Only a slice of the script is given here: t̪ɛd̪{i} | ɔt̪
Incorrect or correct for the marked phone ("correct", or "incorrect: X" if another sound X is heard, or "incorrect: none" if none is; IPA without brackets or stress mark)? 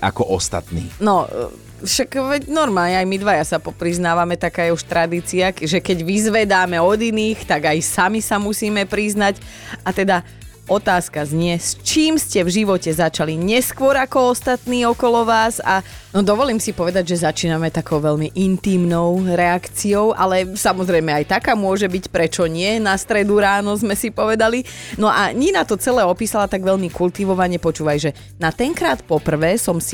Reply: incorrect: a